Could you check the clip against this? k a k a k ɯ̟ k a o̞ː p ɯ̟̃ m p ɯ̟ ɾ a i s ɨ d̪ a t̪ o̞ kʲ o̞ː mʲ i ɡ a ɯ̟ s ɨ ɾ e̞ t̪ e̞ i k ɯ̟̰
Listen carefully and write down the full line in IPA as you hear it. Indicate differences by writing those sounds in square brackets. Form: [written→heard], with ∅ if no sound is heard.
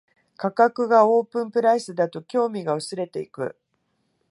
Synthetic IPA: k a k a k ɯ̟ [k→ɡ] a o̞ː p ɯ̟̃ m p ɯ̟ ɾ a i s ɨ d̪ a t̪ o̞ kʲ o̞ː mʲ i ɡ a ɯ̟ s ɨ ɾ e̞ t̪ e̞ i k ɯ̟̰